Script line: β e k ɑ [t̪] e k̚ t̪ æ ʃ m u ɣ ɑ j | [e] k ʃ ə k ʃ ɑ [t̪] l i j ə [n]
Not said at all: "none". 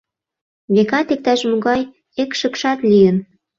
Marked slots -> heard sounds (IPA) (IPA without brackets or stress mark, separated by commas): t̪, e, t̪, n